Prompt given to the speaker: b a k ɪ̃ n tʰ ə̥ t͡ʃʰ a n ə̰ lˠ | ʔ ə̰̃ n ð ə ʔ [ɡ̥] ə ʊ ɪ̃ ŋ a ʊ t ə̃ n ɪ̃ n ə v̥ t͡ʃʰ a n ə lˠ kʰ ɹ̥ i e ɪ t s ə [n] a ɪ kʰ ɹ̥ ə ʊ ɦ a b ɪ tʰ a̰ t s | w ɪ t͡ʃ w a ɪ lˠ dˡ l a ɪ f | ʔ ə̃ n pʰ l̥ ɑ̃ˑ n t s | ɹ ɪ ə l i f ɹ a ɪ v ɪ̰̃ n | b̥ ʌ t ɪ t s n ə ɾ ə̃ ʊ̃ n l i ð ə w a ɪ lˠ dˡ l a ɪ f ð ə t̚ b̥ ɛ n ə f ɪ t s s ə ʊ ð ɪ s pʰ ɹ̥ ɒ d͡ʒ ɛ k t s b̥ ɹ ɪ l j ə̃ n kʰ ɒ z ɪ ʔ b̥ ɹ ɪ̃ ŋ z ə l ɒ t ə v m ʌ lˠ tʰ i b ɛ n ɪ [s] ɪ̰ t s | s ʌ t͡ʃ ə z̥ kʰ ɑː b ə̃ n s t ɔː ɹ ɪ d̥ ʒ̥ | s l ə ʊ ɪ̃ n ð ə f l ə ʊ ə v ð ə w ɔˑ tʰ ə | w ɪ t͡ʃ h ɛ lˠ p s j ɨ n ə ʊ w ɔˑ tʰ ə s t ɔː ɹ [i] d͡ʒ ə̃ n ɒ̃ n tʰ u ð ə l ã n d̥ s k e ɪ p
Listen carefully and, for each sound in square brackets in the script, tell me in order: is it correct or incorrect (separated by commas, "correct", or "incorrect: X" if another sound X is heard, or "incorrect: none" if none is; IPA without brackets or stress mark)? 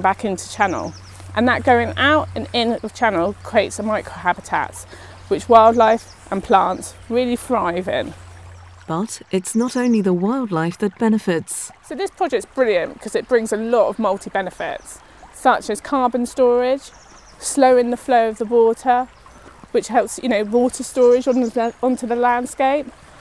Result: correct, incorrect: m, incorrect: f, incorrect: ɪ